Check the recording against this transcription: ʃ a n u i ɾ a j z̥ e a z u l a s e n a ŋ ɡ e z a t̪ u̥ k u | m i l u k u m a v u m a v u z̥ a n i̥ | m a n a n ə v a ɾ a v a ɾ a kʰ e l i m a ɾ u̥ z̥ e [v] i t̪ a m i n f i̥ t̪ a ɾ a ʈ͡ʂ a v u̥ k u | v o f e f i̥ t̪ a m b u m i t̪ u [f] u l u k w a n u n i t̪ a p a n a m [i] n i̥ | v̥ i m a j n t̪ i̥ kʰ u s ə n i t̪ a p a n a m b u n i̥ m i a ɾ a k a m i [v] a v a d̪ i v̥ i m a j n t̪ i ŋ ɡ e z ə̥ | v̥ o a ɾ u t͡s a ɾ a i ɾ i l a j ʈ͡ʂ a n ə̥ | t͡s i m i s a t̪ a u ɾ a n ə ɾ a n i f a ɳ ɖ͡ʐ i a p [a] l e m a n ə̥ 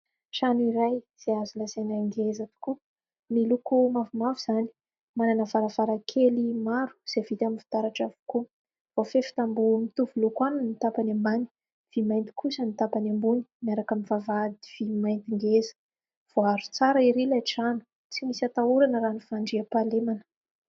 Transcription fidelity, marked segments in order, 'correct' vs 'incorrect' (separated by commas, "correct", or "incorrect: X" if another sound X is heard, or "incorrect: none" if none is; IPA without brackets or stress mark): correct, incorrect: v, incorrect: a, correct, correct